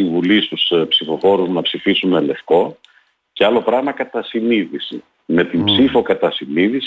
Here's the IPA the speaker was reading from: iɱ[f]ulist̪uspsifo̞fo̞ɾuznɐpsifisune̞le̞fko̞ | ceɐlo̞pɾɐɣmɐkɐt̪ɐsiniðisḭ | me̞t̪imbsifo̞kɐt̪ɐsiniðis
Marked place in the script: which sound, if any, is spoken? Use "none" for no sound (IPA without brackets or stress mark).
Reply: v